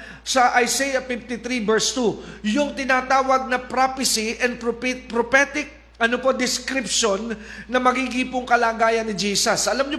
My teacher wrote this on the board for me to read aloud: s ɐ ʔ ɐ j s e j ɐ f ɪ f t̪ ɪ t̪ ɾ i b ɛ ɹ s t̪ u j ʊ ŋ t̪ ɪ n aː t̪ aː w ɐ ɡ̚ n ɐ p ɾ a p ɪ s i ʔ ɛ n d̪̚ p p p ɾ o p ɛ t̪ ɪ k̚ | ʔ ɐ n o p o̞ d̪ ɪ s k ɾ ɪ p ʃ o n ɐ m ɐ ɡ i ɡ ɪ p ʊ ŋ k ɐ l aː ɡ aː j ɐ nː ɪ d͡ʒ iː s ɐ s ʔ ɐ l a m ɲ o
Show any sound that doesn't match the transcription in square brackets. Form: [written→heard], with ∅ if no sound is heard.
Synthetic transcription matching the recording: s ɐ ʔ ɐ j s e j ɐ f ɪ f t̪ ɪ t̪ ɾ i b ɛ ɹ s t̪ u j ʊ ŋ t̪ ɪ n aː t̪ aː w ɐ ɡ̚ n ɐ p ɾ a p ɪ s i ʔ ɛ n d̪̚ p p p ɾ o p ɛ t̪ ɪ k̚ | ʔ ɐ n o p o̞ d̪ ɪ s k ɾ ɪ p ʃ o [n→nː] ɐ m ɐ ɡ i ɡ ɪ p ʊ ŋ k ɐ l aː ɡ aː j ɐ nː ɪ d͡ʒ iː s ɐ s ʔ ɐ l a m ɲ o